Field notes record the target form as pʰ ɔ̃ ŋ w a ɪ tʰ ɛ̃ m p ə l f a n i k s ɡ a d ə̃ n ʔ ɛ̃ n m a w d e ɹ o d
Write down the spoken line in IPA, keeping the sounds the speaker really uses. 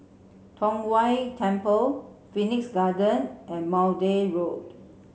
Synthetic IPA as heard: tʰ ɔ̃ ŋ w a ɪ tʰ ɛ̃ m p ə l f i n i k s ɡ a d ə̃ n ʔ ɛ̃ n m a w d e ɹ o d